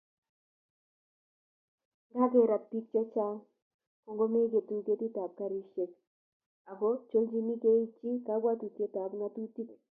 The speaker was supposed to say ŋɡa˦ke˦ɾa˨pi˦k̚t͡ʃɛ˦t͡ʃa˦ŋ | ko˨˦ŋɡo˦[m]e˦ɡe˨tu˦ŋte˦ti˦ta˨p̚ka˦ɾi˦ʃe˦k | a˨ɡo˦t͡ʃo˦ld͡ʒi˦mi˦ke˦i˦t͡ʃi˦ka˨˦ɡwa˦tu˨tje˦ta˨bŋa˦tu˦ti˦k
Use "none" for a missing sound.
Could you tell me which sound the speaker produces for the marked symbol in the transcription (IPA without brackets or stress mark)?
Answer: m